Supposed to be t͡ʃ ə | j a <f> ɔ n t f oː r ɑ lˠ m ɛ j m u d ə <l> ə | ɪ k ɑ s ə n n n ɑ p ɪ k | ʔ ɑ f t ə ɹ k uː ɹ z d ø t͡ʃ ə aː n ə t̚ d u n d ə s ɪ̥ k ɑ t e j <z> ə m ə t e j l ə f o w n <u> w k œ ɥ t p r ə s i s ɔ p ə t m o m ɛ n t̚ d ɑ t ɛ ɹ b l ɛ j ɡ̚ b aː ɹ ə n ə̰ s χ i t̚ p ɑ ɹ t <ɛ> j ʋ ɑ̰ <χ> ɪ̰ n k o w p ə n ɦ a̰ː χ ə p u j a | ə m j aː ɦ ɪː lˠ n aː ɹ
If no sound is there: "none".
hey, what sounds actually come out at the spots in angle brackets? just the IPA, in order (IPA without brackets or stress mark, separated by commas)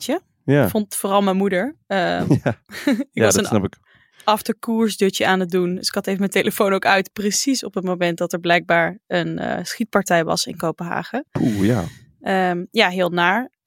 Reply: f, ɹ, v, o, ɛ, s